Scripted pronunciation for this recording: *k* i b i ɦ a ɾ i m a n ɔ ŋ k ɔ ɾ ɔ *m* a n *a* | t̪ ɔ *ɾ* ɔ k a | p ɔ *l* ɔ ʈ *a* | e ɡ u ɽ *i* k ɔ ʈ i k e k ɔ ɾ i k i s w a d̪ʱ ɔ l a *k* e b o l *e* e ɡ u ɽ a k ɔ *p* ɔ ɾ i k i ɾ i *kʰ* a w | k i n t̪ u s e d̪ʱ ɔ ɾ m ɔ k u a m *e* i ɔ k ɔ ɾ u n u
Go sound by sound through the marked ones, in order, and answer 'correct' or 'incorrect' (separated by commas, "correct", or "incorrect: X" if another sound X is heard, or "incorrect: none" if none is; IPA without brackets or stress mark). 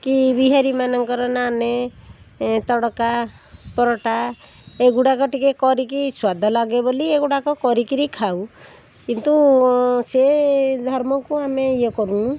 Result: correct, incorrect: n, incorrect: e, incorrect: ɽ, incorrect: ɾ, correct, incorrect: a, incorrect: ɡ, incorrect: i, incorrect: k, correct, correct